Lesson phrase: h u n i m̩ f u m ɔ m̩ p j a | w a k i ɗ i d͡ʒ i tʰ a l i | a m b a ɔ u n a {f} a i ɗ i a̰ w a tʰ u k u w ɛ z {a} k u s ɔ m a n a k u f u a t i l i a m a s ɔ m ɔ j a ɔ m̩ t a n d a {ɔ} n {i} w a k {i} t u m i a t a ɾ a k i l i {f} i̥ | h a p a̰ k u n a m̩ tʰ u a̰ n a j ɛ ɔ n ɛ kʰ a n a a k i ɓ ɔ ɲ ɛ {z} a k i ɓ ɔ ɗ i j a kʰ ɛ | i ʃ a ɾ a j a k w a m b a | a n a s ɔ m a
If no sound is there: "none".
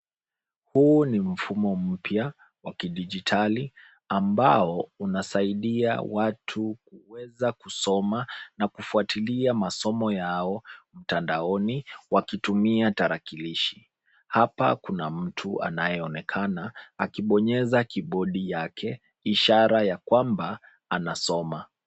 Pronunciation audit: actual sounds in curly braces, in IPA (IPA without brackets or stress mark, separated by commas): s, a, ɔ, i, i, ʃ, z